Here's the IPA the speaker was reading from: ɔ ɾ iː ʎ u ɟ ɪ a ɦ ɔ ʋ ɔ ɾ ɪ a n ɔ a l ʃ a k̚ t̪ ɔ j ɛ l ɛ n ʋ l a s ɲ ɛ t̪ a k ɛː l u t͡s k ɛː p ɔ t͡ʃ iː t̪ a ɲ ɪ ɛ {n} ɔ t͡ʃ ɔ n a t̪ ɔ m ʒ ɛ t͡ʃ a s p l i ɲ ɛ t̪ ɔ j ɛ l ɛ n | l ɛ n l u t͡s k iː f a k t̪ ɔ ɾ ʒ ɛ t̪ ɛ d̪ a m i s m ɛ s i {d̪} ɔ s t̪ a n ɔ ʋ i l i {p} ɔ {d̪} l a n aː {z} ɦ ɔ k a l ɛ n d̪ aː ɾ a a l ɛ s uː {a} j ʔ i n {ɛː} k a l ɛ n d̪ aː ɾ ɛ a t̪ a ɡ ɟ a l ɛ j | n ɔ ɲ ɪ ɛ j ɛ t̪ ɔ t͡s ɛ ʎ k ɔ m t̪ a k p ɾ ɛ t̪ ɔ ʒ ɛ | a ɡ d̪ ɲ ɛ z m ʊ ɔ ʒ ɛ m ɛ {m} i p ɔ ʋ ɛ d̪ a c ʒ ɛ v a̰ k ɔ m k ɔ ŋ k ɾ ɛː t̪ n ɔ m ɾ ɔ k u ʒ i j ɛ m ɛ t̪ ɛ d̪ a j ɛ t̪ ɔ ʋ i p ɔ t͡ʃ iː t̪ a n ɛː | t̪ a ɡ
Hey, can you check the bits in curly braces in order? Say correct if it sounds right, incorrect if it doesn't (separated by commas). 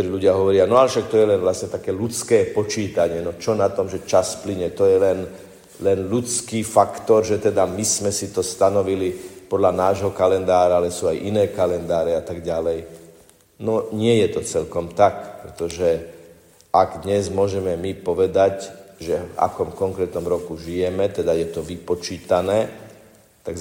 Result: correct, incorrect, correct, correct, incorrect, correct, correct, correct